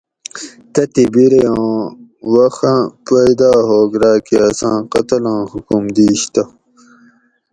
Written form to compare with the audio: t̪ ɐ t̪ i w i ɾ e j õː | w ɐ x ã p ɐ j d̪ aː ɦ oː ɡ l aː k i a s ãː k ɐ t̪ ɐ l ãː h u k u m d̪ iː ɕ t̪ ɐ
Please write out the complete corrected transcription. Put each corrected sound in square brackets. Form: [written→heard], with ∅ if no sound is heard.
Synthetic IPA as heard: t̪ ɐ t̪ i [w→b] i ɾ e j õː | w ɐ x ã p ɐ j d̪ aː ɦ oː ɡ [l→ɾ] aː k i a s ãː [k→q] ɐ t̪ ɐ l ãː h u k u m d̪ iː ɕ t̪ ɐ